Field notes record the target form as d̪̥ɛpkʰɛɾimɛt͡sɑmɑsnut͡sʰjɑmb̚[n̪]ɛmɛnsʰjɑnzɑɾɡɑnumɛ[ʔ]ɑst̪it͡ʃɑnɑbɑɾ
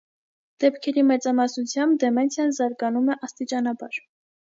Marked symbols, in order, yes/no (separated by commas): no, yes